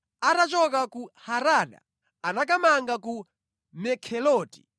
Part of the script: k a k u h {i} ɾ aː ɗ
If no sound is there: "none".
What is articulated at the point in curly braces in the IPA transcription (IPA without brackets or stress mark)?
a